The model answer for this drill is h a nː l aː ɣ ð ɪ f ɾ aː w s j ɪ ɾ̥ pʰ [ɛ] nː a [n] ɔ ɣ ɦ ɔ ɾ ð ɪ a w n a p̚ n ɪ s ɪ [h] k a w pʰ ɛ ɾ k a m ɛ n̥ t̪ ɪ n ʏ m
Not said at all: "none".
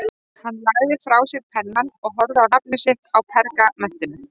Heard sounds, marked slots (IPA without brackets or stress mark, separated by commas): ɛ, n, h